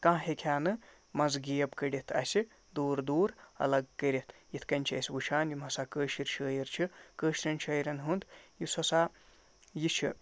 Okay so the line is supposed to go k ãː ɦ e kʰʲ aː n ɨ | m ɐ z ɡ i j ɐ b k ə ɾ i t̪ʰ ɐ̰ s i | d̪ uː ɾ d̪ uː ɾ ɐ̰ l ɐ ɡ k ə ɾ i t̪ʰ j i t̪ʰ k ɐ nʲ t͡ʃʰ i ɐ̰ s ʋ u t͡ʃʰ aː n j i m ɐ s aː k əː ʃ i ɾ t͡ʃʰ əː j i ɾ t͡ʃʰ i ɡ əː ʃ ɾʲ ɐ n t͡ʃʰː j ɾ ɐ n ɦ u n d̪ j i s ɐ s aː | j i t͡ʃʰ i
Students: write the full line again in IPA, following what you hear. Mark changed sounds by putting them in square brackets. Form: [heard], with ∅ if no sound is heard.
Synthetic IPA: k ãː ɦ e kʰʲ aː n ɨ | m ɐ z ɡ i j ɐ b k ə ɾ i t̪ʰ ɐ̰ s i | d̪ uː ɾ d̪ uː ɾ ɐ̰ l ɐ ɡ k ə ɾ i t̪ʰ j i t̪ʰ k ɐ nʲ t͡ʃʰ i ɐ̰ s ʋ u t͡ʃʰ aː n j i m ɐ s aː k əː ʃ i ɾ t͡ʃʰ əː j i ɾ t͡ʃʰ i [k] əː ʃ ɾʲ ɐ n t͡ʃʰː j ɾ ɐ n ɦ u n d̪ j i s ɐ s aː | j i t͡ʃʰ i